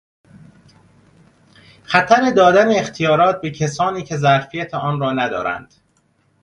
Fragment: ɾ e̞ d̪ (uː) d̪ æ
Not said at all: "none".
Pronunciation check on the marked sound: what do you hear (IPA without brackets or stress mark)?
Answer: ɒː